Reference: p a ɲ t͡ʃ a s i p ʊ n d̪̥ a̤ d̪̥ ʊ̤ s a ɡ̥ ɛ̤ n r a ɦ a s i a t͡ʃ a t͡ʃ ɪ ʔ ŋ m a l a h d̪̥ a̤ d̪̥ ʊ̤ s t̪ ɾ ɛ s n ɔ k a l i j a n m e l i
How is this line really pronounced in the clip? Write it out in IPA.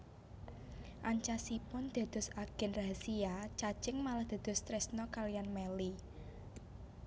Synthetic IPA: ʔ a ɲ t͡ʃ a s i p ʊ n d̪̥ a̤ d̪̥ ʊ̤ s a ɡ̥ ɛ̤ n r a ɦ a s i a t͡ʃ a t͡ʃ ɪ ŋ m a l a h d̪̥ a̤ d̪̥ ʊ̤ s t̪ ɾ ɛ s n ɔ k a l i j a n m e l i